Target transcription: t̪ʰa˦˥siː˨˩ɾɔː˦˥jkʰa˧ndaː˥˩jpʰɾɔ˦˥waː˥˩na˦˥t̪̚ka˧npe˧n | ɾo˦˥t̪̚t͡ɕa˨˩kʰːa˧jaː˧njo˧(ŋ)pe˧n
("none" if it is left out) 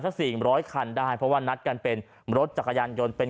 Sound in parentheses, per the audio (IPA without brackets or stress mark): n